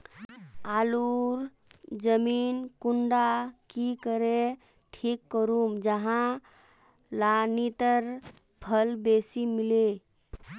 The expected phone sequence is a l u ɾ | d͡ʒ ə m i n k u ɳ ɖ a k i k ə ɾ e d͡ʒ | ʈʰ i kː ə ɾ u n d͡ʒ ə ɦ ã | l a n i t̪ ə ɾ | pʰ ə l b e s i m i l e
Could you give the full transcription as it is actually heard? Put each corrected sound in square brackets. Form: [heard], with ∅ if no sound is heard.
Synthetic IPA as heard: a l u ɾ | d͡ʒ ə m i n k u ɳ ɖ a k i k ə ɾ e [∅] | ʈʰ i kː ə ɾ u [m] d͡ʒ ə ɦ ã | l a n i t̪ ə ɾ | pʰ ə l b e s i m i l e